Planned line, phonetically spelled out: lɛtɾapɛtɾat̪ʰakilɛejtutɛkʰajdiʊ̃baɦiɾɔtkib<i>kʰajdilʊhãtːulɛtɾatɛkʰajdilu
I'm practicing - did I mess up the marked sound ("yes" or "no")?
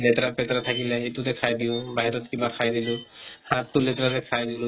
yes